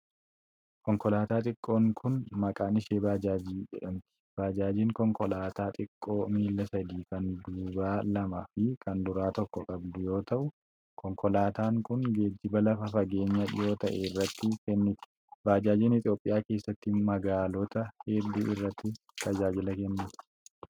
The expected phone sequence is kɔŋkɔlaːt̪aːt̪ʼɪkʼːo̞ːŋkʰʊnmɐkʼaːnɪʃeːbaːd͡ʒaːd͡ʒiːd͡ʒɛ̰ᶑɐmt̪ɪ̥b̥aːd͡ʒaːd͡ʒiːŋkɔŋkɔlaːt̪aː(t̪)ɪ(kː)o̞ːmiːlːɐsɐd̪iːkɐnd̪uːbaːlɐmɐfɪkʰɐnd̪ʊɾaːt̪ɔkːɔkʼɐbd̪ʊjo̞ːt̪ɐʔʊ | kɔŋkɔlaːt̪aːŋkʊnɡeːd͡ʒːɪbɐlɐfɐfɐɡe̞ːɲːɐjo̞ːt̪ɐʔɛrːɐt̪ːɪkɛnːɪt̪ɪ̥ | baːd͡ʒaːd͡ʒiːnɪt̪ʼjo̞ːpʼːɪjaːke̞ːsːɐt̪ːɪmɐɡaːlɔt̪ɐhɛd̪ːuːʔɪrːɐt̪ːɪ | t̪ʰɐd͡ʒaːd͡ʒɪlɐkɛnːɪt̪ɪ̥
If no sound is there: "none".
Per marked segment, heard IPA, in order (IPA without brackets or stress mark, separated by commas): t̪ʼ, kʼː